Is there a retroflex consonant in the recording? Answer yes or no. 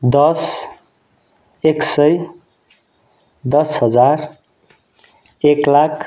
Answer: no